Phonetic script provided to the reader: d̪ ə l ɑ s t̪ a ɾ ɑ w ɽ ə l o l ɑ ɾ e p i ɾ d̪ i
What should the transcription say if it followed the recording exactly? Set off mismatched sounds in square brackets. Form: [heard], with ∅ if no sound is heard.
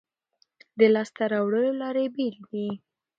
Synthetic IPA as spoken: d̪ ə l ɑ s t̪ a ɾ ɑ w ɽ ə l o l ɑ ɾ e [b] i [l] d̪ i